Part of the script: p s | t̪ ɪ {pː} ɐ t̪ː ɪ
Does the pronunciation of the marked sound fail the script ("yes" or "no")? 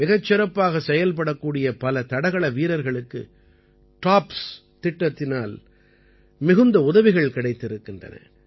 yes